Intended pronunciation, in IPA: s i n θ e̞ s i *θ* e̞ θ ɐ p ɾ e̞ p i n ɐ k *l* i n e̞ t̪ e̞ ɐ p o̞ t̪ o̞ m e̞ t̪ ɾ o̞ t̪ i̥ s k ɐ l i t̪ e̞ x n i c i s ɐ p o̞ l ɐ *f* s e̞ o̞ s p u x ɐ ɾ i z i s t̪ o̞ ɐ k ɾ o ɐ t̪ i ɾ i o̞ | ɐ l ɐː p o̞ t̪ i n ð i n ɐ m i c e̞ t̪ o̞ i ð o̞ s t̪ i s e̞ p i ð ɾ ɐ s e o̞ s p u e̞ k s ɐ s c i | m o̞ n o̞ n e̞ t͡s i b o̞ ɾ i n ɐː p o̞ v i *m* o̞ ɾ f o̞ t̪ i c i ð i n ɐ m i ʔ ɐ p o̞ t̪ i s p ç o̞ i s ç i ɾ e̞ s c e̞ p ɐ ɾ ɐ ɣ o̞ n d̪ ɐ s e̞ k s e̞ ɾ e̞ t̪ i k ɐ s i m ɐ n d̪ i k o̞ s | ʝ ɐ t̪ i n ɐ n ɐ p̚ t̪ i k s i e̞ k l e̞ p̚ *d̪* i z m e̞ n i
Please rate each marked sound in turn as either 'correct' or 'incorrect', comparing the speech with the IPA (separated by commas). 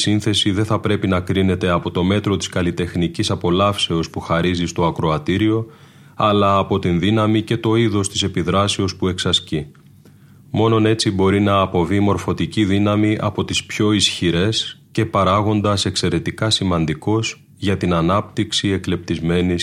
incorrect, incorrect, correct, correct, incorrect